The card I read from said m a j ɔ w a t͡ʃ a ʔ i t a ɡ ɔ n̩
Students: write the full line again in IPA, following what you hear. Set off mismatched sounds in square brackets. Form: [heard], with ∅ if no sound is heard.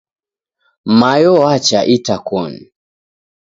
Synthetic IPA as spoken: m a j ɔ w a t͡ʃ a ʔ i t a [k] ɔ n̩